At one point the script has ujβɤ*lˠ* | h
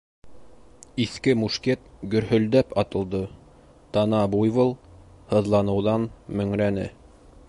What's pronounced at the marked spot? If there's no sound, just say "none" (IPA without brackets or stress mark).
lˠ